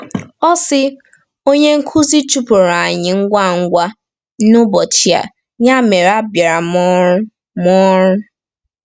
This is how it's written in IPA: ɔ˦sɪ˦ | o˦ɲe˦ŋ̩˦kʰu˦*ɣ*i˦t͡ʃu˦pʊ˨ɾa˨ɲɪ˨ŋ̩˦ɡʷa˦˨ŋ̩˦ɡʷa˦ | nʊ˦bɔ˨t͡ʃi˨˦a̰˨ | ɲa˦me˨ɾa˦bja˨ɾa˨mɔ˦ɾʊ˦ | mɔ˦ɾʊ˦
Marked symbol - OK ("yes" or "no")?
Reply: no